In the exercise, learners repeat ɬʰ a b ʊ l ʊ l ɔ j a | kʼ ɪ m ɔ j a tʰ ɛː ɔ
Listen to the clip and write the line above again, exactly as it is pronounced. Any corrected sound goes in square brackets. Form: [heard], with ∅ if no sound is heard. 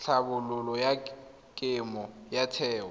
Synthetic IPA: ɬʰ a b ʊ l ʊ l ɔ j a | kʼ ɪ m ɔ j a tʰ ɛː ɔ